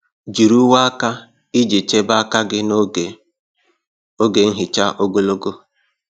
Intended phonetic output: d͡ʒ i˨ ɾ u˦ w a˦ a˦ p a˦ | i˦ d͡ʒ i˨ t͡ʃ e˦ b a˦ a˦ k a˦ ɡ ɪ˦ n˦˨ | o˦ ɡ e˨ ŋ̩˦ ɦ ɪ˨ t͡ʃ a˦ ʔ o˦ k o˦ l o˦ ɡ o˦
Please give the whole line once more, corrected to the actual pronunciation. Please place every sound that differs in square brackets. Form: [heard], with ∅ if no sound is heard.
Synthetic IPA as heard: d͡ʒ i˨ ɾ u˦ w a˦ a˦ [k] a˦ | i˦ d͡ʒ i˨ t͡ʃ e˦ b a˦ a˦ k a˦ ɡ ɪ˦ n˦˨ | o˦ ɡ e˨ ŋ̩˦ ɦ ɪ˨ t͡ʃ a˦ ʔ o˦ [ɡ] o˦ l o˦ ɡ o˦